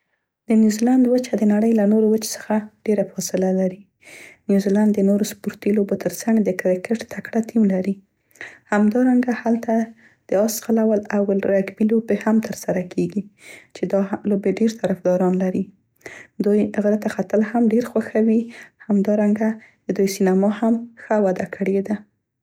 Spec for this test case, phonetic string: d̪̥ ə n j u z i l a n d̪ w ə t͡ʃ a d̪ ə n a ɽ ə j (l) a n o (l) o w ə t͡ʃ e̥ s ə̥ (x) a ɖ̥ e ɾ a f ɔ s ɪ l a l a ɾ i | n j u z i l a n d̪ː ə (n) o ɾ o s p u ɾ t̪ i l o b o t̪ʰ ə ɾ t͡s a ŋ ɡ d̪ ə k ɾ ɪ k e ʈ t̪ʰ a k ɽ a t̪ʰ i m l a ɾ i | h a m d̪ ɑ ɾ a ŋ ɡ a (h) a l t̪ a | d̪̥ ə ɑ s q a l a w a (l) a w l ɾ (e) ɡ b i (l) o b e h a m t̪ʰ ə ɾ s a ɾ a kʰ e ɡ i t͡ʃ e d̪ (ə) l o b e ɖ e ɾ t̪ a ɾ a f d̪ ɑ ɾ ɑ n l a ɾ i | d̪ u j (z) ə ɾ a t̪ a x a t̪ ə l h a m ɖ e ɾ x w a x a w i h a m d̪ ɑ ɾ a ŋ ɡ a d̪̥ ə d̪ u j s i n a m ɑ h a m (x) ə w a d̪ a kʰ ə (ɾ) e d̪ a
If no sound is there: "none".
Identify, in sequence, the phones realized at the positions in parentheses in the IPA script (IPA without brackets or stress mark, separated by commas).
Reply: l, ɾ, x, n, h, l, a, l, ɑ, ɣ, x, ɽ